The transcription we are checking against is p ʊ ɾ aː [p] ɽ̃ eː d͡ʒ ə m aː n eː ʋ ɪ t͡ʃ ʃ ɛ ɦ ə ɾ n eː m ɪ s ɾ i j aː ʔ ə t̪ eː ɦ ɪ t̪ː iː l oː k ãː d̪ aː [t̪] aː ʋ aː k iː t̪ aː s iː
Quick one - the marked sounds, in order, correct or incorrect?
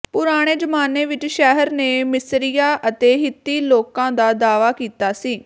incorrect: none, incorrect: d̪

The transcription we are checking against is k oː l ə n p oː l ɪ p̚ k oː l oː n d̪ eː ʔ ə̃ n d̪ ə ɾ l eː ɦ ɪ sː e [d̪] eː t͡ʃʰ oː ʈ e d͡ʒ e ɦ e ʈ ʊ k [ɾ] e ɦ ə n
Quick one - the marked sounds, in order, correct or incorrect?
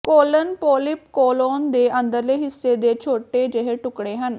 correct, incorrect: ɽ

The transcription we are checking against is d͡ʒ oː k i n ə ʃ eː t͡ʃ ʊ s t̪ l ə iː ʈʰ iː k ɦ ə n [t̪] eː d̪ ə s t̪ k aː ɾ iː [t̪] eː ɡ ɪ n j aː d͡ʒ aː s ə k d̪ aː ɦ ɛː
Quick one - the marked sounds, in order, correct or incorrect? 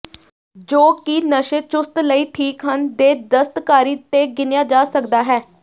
incorrect: d̪, correct

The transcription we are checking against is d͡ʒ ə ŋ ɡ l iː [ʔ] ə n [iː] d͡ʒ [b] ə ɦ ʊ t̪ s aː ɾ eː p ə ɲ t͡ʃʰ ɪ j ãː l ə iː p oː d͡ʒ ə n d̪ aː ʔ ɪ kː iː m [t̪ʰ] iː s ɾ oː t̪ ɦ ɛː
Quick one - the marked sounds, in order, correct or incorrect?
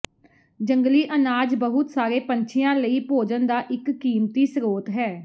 correct, incorrect: aː, correct, incorrect: t̪

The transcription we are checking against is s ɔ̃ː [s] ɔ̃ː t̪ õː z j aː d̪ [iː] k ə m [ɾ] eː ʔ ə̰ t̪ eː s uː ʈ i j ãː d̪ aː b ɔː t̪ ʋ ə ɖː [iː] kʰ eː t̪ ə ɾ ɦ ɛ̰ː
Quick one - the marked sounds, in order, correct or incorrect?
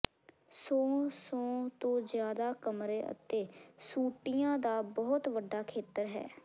correct, incorrect: aː, correct, incorrect: aː

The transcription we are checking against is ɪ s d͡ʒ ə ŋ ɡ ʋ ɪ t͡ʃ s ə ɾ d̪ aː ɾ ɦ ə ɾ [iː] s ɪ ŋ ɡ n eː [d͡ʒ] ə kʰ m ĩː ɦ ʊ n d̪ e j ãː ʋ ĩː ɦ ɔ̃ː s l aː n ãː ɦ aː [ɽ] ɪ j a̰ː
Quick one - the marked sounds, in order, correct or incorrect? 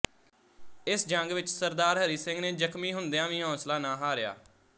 correct, correct, incorrect: ɾ

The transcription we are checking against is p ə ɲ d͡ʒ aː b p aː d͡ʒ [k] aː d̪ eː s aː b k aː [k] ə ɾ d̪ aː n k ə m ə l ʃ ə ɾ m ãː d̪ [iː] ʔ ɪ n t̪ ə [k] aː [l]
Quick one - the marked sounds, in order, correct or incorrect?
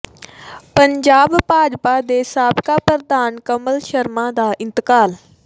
incorrect: p, incorrect: p, incorrect: aː, correct, correct

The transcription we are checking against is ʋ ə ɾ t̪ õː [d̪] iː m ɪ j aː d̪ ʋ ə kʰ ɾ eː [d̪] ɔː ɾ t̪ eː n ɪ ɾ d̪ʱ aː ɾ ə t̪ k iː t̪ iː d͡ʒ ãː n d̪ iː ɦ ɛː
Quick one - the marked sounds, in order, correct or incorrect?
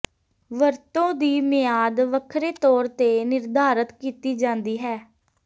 correct, incorrect: t̪

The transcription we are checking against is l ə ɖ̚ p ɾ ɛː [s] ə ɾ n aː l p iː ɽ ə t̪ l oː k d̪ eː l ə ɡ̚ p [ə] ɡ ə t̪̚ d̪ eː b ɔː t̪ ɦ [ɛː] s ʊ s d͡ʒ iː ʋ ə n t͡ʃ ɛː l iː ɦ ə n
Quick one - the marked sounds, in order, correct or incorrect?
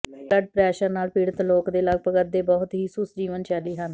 incorrect: ʃ, correct, incorrect: iː

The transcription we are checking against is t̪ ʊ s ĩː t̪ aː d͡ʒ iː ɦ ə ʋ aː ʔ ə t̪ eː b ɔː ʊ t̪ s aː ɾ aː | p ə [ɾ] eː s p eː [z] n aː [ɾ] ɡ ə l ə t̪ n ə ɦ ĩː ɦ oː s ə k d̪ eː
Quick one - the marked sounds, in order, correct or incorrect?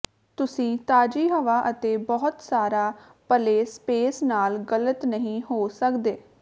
incorrect: l, incorrect: s, incorrect: l

